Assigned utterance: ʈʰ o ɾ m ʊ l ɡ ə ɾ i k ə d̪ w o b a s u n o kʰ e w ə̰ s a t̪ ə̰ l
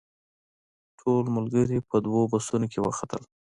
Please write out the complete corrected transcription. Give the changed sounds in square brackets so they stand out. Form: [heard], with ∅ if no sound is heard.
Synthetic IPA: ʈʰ o [l] m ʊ l ɡ ə ɾ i [p] ə d̪ w o b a s u n o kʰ e w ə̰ [x] a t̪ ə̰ l